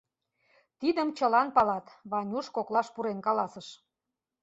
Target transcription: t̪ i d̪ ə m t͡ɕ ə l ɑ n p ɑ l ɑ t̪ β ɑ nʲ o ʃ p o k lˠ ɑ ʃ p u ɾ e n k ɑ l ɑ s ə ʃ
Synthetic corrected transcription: t̪ i d̪ ə m t͡ɕ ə l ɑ n p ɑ l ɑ t̪ β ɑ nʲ u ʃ k o k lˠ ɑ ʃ p u ɾ e n k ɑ l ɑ s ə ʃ